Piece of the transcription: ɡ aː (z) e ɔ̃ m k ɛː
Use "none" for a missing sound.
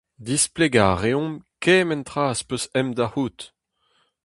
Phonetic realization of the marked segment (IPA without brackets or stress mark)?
ʁ